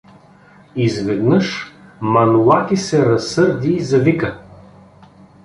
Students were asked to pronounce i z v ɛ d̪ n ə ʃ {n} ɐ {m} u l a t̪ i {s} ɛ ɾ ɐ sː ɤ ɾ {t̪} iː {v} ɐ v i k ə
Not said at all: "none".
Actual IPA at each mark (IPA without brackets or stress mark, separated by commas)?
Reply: m, n, s, d̪, z